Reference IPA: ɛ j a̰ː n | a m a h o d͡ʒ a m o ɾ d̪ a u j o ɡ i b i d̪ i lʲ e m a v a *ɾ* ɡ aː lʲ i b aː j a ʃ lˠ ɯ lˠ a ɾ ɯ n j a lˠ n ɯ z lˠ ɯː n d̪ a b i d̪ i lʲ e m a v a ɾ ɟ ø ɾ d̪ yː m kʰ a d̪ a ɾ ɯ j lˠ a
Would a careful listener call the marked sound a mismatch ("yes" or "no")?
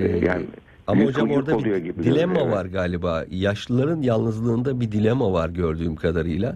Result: no